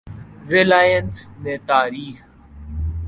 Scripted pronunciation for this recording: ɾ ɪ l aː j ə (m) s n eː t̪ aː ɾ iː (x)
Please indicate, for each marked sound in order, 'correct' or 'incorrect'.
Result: incorrect: n, correct

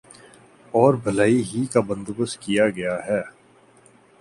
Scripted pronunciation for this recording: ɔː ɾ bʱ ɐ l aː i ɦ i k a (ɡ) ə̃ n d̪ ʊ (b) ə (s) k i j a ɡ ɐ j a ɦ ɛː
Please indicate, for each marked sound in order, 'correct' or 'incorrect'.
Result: incorrect: b, correct, correct

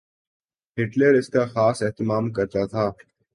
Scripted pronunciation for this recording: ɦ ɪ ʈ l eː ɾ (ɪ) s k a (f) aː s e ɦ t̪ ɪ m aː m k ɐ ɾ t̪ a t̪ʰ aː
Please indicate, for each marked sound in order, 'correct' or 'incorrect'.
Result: correct, incorrect: x

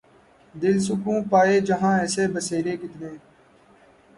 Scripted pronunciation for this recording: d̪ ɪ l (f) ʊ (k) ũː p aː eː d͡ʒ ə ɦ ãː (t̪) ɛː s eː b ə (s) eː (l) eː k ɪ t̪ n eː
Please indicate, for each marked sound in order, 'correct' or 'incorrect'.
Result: incorrect: s, correct, incorrect: none, correct, incorrect: ɾ

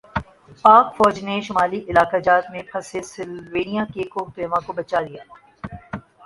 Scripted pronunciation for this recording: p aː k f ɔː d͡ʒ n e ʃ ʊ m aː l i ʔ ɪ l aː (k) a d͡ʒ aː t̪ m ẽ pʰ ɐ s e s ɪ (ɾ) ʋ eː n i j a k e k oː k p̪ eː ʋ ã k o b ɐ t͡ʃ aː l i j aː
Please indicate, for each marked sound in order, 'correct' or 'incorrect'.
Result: correct, incorrect: l

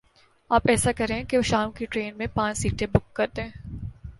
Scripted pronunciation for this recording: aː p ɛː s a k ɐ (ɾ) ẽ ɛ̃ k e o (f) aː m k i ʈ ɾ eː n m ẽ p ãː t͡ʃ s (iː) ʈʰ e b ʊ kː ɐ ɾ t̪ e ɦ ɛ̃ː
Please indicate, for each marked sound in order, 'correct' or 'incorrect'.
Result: correct, incorrect: ʃ, correct

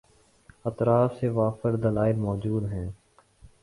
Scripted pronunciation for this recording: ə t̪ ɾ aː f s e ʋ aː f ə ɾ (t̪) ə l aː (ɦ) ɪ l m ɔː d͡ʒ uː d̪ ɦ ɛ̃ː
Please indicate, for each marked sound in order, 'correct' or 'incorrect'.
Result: incorrect: d̪, incorrect: none

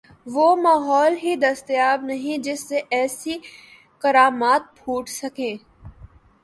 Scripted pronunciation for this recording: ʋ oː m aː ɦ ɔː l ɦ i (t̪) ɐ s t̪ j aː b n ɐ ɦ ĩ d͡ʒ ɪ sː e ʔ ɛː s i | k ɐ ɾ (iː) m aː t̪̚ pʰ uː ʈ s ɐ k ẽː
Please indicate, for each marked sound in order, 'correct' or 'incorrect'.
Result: incorrect: d̪, incorrect: aː

